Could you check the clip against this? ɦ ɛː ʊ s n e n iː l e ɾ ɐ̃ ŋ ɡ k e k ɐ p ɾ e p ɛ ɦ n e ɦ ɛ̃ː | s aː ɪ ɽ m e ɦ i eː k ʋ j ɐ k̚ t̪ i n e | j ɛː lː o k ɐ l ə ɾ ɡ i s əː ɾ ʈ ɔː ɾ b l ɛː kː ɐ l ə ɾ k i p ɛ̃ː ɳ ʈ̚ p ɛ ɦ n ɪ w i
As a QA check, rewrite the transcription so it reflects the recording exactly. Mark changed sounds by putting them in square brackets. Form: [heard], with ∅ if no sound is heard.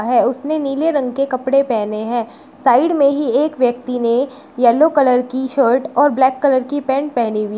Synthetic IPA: ɦ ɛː ʊ s n e n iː l e ɾ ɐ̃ ŋ ɡ k e k ɐ p [ɽ] e p ɛ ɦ n e ɦ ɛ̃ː | s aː ɪ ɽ m [ẽ] ɦ i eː k ʋ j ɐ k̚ t̪ i n e | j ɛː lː o k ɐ l ə ɾ [k] i [ʃ] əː ɾ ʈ ɔː ɾ b l ɛː kː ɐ l ə ɾ k i p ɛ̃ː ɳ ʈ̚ p ɛ ɦ n [i] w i